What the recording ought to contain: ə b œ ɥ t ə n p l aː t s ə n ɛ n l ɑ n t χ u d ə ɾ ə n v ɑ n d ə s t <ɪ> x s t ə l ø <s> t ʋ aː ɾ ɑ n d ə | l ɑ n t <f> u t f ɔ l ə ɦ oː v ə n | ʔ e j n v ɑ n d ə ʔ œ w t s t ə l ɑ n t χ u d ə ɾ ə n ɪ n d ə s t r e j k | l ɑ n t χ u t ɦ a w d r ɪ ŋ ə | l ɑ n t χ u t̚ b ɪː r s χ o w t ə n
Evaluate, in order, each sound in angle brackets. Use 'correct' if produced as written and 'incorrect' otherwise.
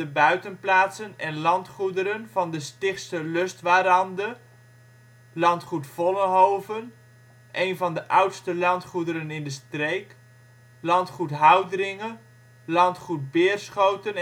correct, correct, incorrect

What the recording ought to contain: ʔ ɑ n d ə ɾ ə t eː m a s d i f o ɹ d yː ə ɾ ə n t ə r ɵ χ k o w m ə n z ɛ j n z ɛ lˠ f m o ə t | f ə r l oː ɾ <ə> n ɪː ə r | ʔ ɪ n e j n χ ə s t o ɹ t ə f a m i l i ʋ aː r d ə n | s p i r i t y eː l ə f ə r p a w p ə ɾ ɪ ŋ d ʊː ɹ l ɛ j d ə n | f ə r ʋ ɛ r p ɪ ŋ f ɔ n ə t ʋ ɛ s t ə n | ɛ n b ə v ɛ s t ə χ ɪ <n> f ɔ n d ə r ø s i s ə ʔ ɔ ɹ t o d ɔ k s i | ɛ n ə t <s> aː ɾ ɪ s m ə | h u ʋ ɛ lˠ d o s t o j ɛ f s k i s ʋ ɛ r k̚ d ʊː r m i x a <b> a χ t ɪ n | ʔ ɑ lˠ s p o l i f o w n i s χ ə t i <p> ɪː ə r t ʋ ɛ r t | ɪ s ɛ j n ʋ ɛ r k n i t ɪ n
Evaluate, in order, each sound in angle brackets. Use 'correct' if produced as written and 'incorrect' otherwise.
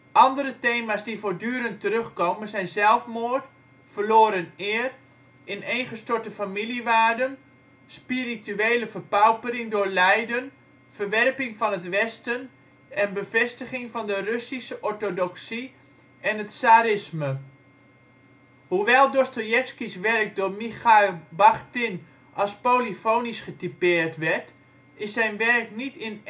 correct, incorrect, correct, correct, correct

